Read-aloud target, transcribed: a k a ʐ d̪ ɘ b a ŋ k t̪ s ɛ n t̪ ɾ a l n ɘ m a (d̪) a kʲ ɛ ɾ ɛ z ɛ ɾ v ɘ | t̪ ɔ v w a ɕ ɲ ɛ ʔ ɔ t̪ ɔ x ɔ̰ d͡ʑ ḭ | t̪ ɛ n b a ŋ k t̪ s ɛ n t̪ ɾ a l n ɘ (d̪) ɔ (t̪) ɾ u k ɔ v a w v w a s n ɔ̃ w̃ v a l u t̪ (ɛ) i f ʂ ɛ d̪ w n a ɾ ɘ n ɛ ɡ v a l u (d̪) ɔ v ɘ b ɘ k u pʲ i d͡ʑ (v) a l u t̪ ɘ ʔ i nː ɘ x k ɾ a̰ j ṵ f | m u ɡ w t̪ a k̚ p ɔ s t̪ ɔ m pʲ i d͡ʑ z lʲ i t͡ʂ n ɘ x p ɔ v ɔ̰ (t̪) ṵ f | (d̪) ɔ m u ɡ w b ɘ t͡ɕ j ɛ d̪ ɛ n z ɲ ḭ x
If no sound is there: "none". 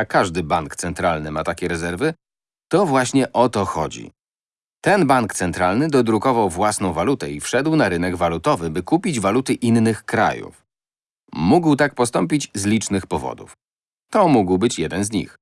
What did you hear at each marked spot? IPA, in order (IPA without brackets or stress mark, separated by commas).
t̪, d̪, d̪, ɛ, t̪, v, d̪, t̪